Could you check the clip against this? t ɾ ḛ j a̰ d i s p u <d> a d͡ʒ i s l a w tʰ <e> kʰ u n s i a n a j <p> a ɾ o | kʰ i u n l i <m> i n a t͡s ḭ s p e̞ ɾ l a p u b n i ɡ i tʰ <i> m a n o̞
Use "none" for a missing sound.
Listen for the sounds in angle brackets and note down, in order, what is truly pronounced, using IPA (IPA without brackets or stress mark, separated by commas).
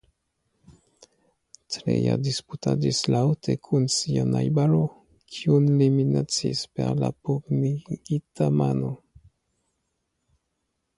t, e, b, m, a